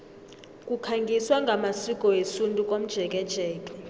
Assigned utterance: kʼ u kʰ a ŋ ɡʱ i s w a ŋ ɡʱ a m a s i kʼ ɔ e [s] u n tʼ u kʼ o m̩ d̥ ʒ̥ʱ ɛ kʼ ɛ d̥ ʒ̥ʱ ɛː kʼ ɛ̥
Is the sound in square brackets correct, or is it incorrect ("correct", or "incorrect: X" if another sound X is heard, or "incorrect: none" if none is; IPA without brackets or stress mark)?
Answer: correct